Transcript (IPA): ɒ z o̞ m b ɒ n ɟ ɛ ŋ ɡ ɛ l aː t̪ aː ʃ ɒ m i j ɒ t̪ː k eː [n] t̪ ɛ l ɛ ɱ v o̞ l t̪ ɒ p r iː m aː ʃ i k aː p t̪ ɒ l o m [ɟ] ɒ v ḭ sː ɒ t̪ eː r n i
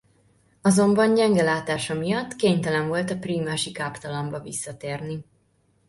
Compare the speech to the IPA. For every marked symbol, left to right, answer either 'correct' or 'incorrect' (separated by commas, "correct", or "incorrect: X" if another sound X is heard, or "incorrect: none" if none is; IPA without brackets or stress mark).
incorrect: ɲ, incorrect: b